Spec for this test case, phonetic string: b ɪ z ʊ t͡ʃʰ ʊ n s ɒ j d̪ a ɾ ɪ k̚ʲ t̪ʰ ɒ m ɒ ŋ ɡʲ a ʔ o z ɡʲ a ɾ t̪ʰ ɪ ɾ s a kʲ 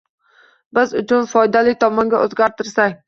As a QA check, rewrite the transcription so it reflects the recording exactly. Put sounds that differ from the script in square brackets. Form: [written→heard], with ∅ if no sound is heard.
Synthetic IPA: b ɪ z ʊ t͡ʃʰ ʊ n [s→f] ɒ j d̪ a [ɾ→l] ɪ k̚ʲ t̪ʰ ɒ m ɒ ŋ ɡʲ a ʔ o z ɡʲ a ɾ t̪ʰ ɪ ɾ s a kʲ